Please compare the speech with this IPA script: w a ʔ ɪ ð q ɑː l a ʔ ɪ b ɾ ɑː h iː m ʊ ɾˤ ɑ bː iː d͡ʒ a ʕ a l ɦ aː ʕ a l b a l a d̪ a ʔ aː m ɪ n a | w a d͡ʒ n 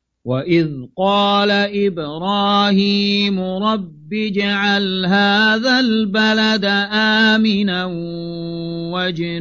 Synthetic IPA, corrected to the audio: w a ʔ ɪ ð q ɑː l a ʔ ɪ b ɾ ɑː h iː m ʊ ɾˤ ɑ bː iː d͡ʒ a ʕ a l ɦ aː ð a l b a l a d̪ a ʔ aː m ɪ n a | w a d͡ʒ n